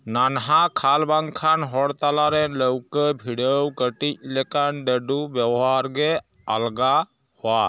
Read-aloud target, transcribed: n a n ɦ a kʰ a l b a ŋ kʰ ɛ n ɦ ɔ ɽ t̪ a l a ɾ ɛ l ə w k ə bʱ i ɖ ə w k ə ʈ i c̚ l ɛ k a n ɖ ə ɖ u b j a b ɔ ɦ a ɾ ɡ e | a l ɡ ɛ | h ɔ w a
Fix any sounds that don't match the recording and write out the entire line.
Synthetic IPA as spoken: n a n ɦ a kʰ a l b a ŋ kʰ a n ɦ ɔ ɽ t̪ a l a ɾ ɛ l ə w k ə bʱ i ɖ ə w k ə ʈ i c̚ l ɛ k a n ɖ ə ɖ u b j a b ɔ ɦ a ɾ ɡ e | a l ɡ a | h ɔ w a